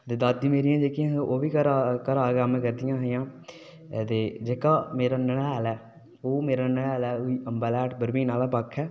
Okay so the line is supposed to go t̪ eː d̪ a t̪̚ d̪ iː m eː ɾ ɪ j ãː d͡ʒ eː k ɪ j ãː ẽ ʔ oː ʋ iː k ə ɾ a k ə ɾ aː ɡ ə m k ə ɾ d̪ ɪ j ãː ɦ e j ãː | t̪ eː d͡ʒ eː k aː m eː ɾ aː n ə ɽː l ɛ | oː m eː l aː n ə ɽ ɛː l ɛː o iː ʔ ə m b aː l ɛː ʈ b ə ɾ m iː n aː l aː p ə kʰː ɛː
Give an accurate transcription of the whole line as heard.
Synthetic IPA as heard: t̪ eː d̪ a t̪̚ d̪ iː m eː ɾ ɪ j ãː d͡ʒ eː k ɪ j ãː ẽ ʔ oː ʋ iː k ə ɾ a k ə ɾ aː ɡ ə m k ə ɾ d̪ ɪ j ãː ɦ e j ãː | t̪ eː d͡ʒ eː k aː m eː ɾ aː n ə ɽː l ɛː | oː m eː ɾ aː n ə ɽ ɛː l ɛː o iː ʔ ə m b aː l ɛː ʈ b ə ɾ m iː n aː l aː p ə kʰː ɛː